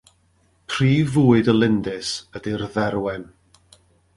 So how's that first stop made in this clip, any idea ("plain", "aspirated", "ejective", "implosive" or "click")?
aspirated